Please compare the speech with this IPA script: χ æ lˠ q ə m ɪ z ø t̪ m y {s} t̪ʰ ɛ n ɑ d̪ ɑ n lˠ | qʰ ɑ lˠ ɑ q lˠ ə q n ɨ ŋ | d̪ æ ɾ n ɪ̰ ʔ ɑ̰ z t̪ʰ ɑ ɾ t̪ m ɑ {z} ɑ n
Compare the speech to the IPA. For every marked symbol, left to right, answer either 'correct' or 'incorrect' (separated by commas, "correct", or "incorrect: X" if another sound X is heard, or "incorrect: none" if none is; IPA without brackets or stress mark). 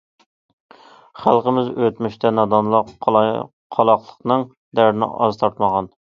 incorrect: ʃ, incorrect: ʁ